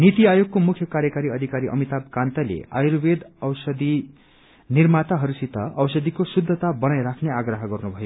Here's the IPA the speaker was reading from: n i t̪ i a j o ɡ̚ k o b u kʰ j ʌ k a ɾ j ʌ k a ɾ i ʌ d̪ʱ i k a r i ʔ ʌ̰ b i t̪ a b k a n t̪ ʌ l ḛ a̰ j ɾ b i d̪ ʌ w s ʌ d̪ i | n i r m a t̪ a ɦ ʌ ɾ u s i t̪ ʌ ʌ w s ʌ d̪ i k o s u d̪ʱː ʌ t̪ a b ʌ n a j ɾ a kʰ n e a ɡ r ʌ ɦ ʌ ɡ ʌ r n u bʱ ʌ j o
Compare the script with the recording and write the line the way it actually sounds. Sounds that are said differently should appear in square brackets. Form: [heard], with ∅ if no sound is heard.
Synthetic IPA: n i t̪ i a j o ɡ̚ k o [m] u kʰ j ʌ k a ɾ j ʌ k a ɾ i ʌ d̪ʱ i k a [ɾ] i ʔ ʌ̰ [m] i t̪ a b k a n t̪ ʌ l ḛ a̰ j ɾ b [e] d̪ ʌ w s ʌ d̪ i | n i r m a t̪ a ɦ ʌ ɾ u s i t̪ ʌ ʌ w s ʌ d̪ i k o s u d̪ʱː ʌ t̪ a b ʌ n a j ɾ a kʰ n e a ɡ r ʌ ɦ ʌ ɡ ʌ r n u bʱ ʌ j o